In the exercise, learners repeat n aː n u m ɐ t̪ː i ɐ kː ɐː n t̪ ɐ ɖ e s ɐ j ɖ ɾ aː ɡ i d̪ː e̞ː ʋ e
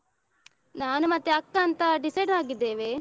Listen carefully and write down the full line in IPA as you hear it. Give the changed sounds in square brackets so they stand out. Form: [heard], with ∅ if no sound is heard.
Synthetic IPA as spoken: n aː n u m ɐ t̪ː [e] ɐ kː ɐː n t̪ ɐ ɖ [i] s ɐ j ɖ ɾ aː ɡ i d̪ː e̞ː ʋ e